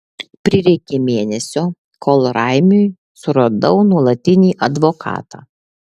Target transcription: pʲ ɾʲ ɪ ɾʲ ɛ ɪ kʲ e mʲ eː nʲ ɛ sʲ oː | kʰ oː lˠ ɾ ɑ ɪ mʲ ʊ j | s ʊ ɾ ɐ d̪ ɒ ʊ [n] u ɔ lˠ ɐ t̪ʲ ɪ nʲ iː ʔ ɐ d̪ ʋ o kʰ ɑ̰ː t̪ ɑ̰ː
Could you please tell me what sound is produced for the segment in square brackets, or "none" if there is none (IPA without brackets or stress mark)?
n